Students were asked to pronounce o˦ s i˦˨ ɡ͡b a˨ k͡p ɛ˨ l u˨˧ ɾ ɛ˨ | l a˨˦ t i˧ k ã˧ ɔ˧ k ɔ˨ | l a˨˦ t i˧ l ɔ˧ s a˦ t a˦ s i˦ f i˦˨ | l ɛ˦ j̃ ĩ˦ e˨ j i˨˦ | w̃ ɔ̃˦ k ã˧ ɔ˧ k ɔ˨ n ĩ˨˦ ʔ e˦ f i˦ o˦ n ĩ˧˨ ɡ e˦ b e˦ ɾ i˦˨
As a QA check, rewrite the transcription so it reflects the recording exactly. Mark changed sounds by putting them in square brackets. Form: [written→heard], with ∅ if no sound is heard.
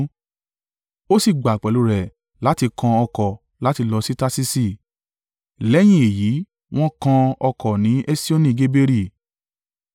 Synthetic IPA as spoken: o˦ s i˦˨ ɡ͡b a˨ k͡p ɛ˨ l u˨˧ ɾ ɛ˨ | l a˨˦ t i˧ k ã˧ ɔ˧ k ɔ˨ | l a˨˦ t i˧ l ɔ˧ s [a˦→i˦] t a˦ s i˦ [f→s] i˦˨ | l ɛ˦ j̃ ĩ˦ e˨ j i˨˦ | w̃ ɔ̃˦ k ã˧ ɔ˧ k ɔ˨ n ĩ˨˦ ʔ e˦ [f→s] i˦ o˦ n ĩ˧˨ ɡ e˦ b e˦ ɾ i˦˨